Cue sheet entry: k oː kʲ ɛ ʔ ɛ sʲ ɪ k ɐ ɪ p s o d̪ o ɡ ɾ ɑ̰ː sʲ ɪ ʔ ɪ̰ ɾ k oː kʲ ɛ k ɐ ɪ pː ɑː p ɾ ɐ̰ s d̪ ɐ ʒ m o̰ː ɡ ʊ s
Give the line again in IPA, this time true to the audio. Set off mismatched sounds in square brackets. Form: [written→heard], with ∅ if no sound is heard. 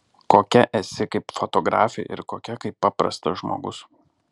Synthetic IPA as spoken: k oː kʲ ɛ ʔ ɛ sʲ ɪ k ɐ ɪ p [s→f] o [d̪→t̪] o ɡ ɾ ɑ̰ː [sʲ→fʲ] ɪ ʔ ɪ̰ ɾ k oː kʲ ɛ k ɐ ɪ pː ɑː p ɾ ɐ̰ s [d̪→t̪] ɐ ʒ m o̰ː ɡ ʊ s